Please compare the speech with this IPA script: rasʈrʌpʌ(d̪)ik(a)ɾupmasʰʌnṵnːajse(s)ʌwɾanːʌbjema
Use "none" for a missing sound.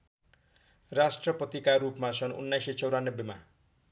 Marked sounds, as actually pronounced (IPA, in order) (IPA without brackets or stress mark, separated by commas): t̪, a, t͡s